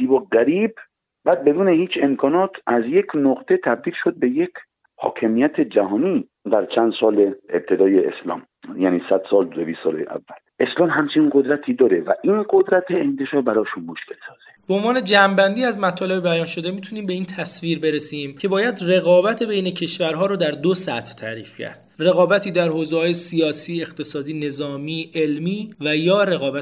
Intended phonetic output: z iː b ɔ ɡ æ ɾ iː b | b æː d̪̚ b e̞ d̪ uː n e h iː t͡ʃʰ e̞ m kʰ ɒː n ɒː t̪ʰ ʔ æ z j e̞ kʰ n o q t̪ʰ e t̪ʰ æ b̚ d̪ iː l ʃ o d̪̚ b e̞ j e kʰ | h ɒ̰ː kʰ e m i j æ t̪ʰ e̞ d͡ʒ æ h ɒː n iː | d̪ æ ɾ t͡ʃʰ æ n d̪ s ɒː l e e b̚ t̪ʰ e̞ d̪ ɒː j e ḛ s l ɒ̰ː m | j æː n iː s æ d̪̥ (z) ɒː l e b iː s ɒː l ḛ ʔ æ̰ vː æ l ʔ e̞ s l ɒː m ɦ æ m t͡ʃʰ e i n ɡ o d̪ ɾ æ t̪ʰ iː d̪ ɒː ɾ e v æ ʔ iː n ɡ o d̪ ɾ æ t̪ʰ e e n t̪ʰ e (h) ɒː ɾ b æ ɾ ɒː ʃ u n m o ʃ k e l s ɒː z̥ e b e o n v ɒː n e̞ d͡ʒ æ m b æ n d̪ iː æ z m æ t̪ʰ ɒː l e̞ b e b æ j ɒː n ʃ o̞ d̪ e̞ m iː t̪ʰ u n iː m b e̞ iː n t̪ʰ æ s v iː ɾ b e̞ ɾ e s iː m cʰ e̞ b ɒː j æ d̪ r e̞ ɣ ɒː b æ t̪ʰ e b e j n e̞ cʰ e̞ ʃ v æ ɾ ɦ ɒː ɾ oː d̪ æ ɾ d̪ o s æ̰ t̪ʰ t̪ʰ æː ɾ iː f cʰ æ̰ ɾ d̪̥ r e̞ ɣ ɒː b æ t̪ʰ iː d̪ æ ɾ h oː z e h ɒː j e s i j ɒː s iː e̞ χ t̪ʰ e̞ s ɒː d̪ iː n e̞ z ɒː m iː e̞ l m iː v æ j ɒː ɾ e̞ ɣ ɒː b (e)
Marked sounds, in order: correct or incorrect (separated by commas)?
incorrect, incorrect, incorrect